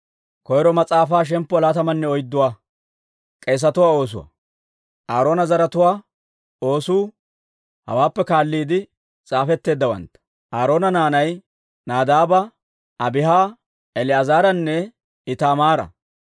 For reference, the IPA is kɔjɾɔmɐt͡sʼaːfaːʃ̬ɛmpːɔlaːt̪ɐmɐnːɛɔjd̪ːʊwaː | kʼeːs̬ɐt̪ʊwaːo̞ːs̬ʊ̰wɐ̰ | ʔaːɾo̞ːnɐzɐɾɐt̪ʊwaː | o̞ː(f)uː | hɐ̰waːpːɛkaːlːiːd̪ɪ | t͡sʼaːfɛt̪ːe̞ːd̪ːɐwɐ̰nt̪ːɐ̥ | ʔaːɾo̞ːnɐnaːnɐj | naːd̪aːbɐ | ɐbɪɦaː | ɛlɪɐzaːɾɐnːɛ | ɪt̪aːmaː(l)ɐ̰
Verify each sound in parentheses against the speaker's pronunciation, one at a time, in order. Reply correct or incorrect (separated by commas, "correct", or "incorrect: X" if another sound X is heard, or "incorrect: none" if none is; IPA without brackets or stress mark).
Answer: incorrect: s, incorrect: ɾ